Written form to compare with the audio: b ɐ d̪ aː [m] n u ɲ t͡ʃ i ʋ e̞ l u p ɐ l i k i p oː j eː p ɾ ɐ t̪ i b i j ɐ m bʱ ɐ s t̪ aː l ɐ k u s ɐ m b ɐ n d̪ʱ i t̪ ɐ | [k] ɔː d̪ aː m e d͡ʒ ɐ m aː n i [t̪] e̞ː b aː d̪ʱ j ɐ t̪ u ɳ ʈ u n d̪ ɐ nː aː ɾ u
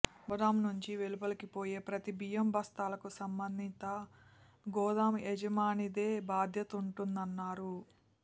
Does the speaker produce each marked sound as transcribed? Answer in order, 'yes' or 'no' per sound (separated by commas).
yes, no, no